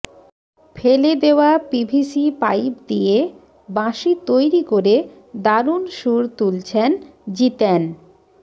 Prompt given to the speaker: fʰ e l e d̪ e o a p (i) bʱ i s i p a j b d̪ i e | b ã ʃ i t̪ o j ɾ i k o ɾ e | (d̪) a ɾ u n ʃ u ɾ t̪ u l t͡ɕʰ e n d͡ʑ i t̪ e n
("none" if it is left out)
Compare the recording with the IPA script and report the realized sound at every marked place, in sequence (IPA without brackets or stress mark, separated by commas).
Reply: i, d̪